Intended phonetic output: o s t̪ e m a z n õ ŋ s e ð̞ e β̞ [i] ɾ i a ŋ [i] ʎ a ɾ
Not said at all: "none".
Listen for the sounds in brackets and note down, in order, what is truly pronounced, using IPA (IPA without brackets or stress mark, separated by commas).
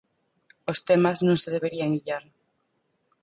e, i